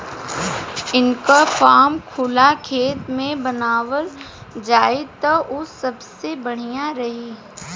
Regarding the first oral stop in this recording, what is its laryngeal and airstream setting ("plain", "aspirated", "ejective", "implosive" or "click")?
plain